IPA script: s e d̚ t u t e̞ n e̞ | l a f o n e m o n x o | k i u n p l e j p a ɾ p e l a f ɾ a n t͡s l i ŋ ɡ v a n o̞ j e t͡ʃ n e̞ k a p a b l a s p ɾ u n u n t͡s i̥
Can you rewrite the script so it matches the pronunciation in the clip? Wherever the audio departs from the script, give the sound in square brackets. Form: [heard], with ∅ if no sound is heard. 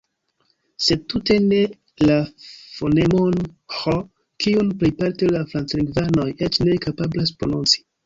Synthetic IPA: s e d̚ t u t e̞ n e̞ | l a f o n e m o n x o | k i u n p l e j p a ɾ [t] e l a f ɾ a n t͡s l i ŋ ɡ v a n o̞ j e t͡ʃ n e̞ k a p a b l a s p ɾ [o] n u n t͡s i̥